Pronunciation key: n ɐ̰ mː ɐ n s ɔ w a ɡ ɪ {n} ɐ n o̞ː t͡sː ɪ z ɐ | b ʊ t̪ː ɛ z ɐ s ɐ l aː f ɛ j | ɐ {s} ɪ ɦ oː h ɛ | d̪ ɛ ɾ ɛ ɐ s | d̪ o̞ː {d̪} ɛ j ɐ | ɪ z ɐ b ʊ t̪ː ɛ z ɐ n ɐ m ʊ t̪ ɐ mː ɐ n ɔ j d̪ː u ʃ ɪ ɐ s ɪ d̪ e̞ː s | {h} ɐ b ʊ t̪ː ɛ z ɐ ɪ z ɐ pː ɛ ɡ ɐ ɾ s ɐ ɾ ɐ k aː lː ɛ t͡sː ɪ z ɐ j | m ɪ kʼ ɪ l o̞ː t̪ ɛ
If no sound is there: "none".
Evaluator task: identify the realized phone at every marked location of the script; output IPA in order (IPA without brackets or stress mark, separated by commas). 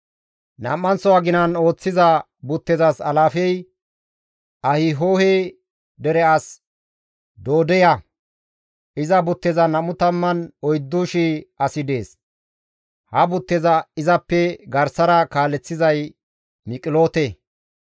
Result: n, h, d̪, h